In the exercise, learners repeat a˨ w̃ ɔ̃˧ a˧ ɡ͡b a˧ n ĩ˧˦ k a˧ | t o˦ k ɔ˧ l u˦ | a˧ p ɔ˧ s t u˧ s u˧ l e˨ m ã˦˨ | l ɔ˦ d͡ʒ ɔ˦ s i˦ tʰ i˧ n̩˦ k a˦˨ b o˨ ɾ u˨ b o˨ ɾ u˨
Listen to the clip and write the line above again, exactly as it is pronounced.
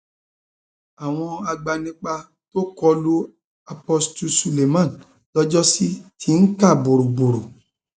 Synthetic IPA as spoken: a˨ w̃ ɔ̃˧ a˧ ɡ͡b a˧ n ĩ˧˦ k͡p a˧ | t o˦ k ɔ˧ l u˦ | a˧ p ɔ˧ s t u˧ s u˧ l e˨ m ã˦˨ | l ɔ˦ d͡ʒ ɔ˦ s i˦ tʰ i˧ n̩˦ k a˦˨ b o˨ ɾ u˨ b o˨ ɾ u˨